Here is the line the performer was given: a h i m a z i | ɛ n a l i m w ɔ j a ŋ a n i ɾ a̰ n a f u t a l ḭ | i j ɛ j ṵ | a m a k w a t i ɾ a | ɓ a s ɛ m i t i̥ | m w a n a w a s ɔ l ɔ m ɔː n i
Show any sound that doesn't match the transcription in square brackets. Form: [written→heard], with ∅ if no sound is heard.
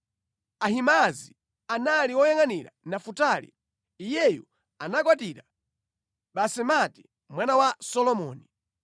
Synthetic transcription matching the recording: a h i m a z i | [ɛ→a] n a l i [m→∅] w ɔ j a ŋ a n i ɾ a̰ n a f u t a l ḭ | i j ɛ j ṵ | a [m→n] a k w a t i ɾ a | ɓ a s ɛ m [i→a] t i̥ | m w a n a w a s ɔ l ɔ m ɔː n i